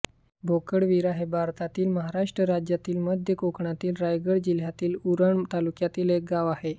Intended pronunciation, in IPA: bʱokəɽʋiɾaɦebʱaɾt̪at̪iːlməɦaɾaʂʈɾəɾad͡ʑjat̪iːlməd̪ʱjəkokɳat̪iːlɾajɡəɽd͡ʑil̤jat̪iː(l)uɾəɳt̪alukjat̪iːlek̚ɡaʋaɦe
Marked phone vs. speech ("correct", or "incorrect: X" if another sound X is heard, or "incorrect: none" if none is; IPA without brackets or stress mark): correct